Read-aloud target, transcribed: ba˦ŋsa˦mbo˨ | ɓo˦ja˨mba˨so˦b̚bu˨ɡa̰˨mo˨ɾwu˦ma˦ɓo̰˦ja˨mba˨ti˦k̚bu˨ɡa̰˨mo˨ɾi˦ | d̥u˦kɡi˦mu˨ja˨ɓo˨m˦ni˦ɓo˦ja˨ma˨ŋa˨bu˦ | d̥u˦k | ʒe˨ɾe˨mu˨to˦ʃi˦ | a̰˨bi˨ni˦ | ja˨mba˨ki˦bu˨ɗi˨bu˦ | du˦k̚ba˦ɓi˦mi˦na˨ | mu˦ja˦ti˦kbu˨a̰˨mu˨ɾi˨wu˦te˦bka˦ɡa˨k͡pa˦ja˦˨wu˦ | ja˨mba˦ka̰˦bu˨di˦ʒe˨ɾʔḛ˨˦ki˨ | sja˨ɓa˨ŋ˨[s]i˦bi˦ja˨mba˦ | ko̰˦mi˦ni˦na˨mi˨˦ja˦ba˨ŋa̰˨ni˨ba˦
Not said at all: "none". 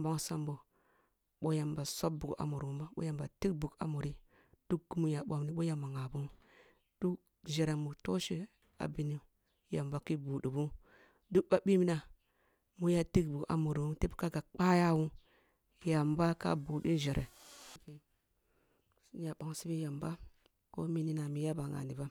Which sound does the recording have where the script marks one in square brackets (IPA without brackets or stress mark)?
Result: s